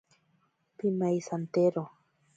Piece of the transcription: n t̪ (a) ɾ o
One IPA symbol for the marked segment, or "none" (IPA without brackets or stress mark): e